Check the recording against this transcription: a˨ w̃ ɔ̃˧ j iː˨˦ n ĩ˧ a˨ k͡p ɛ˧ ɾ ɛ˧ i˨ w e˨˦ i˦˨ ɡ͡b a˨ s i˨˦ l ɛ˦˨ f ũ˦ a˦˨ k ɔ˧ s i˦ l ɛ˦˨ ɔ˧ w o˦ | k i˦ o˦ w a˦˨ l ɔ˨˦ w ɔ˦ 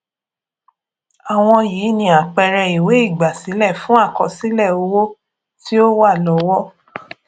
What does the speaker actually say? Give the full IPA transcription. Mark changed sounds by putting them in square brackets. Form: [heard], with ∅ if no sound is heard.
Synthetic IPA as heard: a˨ w̃ ɔ̃˧ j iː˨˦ n ĩ˧ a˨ k͡p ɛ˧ ɾ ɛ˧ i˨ w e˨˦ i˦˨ ɡ͡b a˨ s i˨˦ l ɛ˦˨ f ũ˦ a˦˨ k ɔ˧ s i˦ l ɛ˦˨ [o˧] w o˦ | [t] i˦ o˦ w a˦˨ l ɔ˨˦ w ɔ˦